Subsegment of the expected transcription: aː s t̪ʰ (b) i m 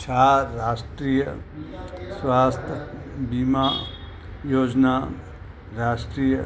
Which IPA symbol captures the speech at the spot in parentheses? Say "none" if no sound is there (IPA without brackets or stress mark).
b